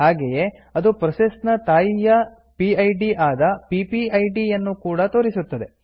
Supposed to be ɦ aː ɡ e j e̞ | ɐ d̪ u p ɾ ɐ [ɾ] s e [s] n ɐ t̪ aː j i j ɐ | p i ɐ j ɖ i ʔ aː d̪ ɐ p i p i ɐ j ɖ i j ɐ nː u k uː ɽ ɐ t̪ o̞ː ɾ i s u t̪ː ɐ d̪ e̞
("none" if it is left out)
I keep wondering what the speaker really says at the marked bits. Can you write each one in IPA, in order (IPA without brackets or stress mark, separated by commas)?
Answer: none, s